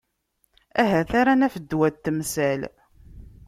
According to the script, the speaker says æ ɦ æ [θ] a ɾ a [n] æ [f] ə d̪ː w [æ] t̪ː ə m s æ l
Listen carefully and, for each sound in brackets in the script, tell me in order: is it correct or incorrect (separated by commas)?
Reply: correct, correct, correct, correct